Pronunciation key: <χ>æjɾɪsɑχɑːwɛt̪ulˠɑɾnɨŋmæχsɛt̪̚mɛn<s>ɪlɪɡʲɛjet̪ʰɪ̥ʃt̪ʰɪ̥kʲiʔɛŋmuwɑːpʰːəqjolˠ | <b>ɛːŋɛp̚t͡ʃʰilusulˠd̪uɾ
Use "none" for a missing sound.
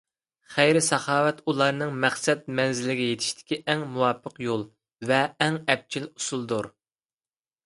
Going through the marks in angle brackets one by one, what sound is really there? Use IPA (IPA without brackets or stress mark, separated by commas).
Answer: χ, z, v